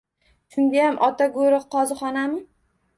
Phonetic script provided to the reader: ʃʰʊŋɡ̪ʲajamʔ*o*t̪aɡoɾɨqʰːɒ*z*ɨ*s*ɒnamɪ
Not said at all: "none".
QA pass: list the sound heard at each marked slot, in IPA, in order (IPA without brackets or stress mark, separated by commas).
ɒ, z, χ